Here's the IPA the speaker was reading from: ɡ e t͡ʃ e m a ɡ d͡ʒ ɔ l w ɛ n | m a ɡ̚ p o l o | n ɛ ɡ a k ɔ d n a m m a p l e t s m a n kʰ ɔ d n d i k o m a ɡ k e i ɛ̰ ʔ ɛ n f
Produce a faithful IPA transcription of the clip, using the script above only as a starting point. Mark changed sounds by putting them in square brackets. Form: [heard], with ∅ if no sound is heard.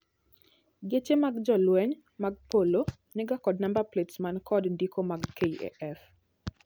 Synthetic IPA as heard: ɡ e t͡ʃ e m a ɡ d͡ʒ ɔ l w ɛ [ɲ] | m a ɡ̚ p o l o | n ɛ ɡ a k ɔ d n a m [b] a p l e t s m a n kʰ ɔ d n d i k o m a ɡ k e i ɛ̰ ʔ ɛ [∅] f

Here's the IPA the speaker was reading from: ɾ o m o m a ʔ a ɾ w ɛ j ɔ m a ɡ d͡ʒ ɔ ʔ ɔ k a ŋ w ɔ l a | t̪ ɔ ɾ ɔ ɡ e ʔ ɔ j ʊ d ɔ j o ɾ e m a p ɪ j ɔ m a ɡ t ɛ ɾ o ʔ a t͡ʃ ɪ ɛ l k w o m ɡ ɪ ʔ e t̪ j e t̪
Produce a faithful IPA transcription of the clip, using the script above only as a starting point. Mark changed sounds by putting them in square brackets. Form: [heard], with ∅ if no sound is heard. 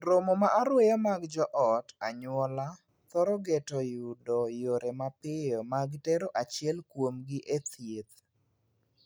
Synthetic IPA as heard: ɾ o m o m a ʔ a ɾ w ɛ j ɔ m a ɡ d͡ʒ ɔ ʔ ɔ [t] a [ɲ] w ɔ l a | t̪ ɔ ɾ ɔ ɡ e [t] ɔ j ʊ d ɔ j o ɾ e m a p ɪ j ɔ m a ɡ t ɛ ɾ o ʔ a t͡ʃ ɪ ɛ l k w o m ɡ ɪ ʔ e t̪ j e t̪

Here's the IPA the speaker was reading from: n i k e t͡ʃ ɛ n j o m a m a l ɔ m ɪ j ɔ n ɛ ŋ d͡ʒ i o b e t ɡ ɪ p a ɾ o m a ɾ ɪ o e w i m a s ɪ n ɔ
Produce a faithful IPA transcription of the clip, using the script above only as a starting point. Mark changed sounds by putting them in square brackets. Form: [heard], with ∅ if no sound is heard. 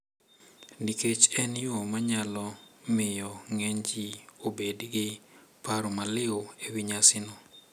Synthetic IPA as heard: n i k e t͡ʃ ɛ n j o m a [ɲ] a l ɔ m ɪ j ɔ [ŋ] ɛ [ɲ] d͡ʒ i o b e [d] ɡ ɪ p a ɾ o m a [l] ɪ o e w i [ɲ] a s ɪ n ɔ

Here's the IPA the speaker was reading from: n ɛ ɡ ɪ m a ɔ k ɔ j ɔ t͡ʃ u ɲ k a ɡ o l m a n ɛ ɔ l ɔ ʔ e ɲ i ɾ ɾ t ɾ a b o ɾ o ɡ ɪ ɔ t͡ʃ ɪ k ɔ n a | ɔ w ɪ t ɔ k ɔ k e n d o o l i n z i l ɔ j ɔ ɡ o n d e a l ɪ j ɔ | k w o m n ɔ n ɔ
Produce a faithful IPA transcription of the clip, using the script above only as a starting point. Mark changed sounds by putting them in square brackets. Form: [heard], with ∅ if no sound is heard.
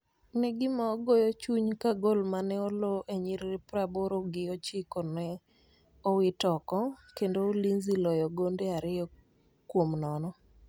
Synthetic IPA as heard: n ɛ ɡ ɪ m a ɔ [ɡ] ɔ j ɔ t͡ʃ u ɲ k a ɡ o l m a n ɛ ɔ l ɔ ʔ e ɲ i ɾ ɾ [p] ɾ a b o ɾ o ɡ ɪ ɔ t͡ʃ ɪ k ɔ n [ɛ] | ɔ w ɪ t ɔ k ɔ k e n d o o l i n z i l ɔ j ɔ ɡ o n d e a [ɾ] ɪ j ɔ | k w o m n ɔ n ɔ

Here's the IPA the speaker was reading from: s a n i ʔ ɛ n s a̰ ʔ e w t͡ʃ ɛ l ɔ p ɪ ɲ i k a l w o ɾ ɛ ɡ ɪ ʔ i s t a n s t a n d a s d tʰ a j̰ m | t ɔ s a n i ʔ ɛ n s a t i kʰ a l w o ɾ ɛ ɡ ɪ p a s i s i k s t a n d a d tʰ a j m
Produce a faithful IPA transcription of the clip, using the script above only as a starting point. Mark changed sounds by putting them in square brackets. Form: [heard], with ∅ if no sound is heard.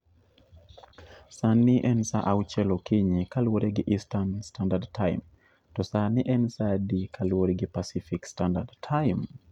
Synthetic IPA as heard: s a n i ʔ ɛ n s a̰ ʔ [a] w t͡ʃ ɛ l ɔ [k] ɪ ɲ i k a l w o ɾ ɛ ɡ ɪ ʔ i s t a n s t a n d a [∅] d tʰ a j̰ m | t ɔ s a n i ʔ ɛ n s a [d] i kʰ a l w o ɾ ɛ ɡ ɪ p a s i [f] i k s t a n d a d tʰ a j m

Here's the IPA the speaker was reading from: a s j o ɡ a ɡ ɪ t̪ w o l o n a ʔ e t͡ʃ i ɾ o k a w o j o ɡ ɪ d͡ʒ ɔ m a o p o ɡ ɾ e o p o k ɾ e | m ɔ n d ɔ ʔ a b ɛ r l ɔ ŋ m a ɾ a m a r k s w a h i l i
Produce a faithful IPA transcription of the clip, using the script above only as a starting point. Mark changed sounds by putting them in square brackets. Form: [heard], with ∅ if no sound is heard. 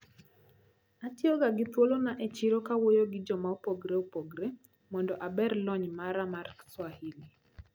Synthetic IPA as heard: a [t] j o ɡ a ɡ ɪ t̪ w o l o n a ʔ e t͡ʃ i ɾ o k a w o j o ɡ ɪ d͡ʒ ɔ m a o p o ɡ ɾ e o p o [ɡ] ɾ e | m ɔ n d ɔ ʔ a b ɛ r l ɔ [ɲ] m a ɾ a m a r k s w a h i l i

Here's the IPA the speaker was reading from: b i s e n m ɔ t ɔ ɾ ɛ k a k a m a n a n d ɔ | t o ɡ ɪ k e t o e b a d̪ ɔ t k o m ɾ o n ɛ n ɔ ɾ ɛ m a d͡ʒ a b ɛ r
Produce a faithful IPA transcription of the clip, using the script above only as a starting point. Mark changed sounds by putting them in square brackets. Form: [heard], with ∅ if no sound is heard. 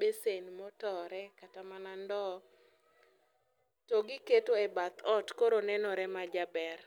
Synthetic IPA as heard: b [e] s e n m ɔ t ɔ ɾ ɛ k a [t] a m a n a n d ɔ | t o ɡ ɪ k e t o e b a [t̪] ɔ t k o [∅] ɾ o n ɛ n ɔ ɾ ɛ m a d͡ʒ a b ɛ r

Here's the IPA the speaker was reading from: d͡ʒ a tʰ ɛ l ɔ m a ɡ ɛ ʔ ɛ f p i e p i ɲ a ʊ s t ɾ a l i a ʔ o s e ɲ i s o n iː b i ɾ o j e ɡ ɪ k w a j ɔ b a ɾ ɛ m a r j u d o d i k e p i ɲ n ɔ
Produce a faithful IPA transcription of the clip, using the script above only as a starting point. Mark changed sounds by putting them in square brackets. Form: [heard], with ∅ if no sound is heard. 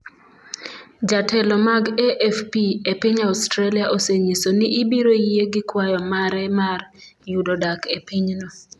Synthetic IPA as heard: d͡ʒ a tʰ ɛ l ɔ m a ɡ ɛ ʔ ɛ f p i e p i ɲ a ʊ s t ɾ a l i a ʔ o s e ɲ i s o n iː b i ɾ o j e ɡ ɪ k w a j ɔ [m] a ɾ ɛ m a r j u d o d [a] k e p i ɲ n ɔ

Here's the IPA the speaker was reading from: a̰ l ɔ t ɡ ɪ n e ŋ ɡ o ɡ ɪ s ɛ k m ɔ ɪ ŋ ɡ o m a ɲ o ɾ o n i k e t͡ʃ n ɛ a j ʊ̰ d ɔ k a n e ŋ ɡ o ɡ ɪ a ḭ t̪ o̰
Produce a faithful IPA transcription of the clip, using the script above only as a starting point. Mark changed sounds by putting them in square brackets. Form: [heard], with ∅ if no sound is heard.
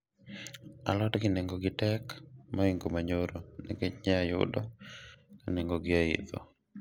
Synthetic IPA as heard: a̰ l ɔ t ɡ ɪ n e ŋ ɡ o ɡ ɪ [t] ɛ k m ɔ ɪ ŋ ɡ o m a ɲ o ɾ o n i k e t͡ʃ [ɲ] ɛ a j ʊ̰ d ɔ k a n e ŋ ɡ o ɡ ɪ a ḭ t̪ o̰

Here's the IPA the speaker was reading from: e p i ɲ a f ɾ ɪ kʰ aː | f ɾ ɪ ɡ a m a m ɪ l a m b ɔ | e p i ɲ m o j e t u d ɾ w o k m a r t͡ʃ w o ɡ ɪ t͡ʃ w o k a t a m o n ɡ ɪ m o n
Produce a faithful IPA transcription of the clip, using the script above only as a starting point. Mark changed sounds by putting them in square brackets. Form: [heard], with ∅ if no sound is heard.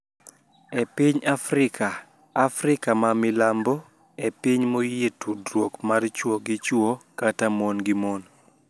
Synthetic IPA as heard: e p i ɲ a f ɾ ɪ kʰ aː | f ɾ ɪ [k] a m a m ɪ l a m b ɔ | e p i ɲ m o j e t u d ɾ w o k m a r t͡ʃ w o ɡ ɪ t͡ʃ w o k a t a m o n ɡ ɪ m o n

